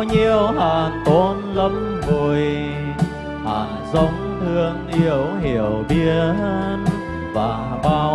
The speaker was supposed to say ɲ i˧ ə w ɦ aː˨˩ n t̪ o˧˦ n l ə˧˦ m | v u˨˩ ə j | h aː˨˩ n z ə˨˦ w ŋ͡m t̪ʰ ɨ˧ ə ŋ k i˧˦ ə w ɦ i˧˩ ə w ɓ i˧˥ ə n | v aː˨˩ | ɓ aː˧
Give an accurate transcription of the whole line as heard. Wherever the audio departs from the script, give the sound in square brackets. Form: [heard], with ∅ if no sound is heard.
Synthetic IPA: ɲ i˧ ə w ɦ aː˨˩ n t̪ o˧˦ n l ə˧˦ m | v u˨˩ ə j | h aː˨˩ n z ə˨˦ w ŋ͡m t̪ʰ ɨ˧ ə ŋ [ʔ] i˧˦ ə w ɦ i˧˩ ə w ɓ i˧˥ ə n | v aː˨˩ | ɓ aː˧